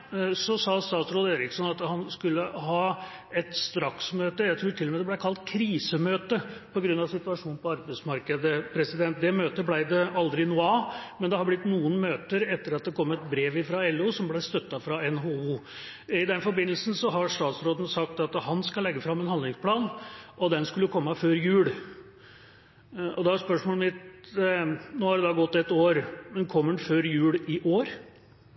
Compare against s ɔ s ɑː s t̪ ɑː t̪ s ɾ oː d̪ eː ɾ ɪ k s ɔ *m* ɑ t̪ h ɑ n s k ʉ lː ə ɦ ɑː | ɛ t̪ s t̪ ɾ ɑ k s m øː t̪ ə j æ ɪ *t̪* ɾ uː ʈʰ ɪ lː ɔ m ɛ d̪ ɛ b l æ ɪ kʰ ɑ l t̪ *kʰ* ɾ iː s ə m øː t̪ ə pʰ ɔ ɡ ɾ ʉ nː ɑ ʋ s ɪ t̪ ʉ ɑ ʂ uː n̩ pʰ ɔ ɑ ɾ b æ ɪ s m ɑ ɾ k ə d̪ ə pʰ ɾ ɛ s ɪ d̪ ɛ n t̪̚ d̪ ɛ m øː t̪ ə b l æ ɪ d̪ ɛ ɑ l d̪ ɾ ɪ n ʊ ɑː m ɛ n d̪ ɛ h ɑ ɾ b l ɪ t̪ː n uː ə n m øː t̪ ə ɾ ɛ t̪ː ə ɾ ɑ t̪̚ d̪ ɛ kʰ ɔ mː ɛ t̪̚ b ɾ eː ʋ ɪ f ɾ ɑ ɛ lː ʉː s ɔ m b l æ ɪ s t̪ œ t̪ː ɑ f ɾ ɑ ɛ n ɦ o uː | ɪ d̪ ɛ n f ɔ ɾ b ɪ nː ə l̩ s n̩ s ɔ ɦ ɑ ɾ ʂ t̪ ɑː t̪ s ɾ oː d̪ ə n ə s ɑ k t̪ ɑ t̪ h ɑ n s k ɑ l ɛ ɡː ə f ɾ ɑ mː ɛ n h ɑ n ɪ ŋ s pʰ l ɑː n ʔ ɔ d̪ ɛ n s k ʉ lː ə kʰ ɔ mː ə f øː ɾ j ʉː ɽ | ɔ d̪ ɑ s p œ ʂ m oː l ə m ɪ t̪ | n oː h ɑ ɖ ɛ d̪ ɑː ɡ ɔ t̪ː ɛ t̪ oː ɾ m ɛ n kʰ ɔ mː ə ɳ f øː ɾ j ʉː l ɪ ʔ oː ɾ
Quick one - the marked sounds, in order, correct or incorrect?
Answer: incorrect, incorrect, correct

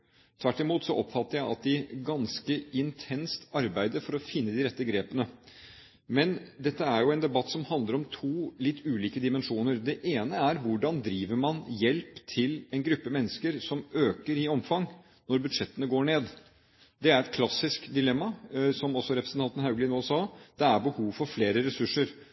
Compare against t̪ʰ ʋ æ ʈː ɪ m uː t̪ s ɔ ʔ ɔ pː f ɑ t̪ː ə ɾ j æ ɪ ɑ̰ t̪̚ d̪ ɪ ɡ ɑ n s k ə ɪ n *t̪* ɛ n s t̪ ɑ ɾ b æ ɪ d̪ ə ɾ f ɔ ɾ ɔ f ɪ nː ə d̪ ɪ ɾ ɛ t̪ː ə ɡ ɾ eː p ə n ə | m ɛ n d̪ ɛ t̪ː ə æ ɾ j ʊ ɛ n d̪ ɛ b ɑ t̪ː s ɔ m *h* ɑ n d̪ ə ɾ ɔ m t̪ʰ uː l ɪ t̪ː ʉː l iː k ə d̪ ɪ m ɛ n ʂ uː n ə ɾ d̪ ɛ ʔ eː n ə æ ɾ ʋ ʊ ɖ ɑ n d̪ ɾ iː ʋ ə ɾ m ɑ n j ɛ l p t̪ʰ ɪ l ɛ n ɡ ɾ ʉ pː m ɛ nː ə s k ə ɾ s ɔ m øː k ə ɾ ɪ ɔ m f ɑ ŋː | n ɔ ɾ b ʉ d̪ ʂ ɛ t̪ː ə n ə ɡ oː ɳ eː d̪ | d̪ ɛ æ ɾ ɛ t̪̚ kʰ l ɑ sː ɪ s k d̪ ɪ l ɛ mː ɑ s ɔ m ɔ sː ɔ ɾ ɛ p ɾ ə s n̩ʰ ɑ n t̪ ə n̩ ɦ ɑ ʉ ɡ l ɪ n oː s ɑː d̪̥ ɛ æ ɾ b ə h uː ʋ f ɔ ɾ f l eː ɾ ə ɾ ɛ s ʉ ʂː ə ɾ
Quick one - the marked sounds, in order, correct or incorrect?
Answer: incorrect, correct

